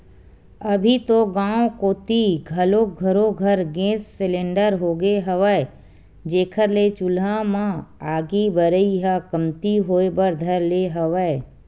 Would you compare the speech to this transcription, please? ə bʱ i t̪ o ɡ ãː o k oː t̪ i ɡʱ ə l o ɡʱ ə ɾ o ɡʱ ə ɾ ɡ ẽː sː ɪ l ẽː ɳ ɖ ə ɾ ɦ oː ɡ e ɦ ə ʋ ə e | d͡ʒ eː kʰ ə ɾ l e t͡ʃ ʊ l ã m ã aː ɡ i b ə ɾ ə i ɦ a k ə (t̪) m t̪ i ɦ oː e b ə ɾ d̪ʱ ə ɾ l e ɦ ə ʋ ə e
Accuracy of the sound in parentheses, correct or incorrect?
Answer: incorrect